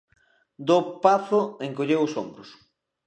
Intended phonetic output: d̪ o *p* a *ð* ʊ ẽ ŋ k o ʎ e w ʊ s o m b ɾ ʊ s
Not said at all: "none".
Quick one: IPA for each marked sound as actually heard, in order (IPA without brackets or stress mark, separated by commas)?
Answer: p, θ